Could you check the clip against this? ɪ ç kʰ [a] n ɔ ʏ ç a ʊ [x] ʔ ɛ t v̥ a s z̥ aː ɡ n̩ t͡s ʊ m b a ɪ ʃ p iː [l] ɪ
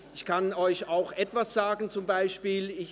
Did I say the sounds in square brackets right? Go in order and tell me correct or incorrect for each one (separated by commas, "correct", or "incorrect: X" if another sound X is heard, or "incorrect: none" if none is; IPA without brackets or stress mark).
correct, correct, correct